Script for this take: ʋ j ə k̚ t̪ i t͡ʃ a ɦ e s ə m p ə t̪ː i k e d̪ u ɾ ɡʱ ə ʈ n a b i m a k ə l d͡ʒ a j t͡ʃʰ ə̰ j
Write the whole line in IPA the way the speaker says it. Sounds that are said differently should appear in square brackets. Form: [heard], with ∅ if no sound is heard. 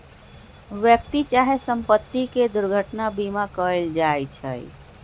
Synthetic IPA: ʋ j ə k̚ t̪ i t͡ʃ a ɦ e s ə m p ə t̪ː i k e d̪ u ɾ ɡʱ ə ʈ n a b i m a k ə l d͡ʒ a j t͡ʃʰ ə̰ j